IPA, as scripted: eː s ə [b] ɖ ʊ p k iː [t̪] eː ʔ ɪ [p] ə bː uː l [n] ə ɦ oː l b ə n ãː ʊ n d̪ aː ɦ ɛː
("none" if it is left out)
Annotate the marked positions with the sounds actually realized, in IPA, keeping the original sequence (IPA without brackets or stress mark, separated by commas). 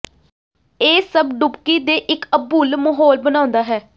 b, d̪, k, m